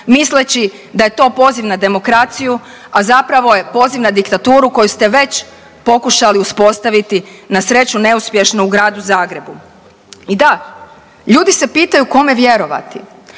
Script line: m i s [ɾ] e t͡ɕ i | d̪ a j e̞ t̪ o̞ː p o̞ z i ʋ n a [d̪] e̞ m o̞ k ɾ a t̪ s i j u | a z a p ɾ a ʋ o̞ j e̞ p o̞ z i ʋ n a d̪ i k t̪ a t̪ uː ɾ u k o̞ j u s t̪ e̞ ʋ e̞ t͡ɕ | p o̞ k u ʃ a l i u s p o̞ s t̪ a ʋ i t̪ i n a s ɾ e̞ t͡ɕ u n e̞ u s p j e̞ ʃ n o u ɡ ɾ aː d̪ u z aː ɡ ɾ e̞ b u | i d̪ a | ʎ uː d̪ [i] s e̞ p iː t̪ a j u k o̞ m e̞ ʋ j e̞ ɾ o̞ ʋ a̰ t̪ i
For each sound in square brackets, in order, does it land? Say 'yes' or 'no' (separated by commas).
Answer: no, yes, yes